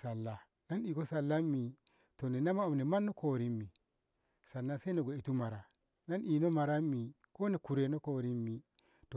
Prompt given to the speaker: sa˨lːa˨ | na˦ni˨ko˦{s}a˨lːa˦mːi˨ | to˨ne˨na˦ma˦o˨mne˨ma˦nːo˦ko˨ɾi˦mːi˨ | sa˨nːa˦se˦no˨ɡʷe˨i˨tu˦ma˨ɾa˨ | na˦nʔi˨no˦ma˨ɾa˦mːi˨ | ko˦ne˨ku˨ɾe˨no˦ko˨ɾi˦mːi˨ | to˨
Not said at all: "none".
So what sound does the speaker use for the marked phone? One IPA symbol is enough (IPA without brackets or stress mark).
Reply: s